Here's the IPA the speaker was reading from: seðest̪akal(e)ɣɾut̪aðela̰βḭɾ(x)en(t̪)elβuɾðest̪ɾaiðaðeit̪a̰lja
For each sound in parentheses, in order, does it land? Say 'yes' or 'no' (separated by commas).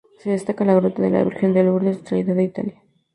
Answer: no, yes, no